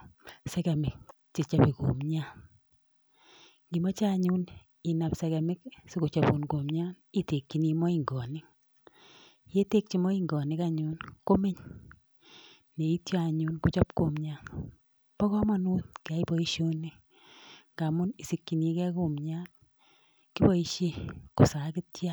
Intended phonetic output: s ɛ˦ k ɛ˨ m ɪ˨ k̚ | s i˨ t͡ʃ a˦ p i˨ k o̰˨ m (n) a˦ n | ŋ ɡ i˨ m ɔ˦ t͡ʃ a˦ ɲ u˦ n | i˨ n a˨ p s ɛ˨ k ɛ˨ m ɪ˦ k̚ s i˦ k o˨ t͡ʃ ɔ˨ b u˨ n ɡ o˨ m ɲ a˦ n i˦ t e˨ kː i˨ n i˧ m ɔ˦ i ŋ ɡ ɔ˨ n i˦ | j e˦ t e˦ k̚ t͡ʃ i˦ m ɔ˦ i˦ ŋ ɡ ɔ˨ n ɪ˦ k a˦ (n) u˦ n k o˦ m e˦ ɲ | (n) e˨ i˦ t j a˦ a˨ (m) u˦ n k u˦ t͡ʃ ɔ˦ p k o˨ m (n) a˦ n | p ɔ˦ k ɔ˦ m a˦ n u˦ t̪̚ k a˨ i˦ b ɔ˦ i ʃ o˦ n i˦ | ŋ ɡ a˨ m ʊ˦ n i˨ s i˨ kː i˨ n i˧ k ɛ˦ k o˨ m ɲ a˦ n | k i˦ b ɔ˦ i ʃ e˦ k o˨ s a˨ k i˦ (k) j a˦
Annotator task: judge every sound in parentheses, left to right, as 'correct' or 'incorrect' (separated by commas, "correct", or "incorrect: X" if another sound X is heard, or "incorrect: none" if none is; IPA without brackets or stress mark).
incorrect: ɲ, incorrect: ɲ, correct, incorrect: ɲ, incorrect: ɲ, incorrect: t